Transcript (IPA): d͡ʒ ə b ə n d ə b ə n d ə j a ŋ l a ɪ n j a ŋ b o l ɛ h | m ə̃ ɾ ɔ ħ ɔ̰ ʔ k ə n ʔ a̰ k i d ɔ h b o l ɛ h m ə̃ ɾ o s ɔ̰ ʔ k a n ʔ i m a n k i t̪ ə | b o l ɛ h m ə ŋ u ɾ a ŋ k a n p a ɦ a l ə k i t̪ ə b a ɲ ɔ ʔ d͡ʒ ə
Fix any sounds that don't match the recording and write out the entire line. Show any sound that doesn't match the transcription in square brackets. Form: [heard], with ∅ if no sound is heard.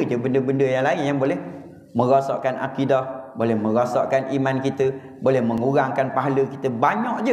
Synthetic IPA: d͡ʒ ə b ə n d ə b ə n d ə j a ŋ l a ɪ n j a ŋ b o l ɛ h | m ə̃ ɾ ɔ [s] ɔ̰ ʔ k [a] n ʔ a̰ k i d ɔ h b o l ɛ h m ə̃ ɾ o s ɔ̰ ʔ k a n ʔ i m a n k i t̪ ə | b o l ɛ h m ə ŋ u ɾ a ŋ k a n p a ɦ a l ə k i t̪ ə b a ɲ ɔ ʔ d͡ʒ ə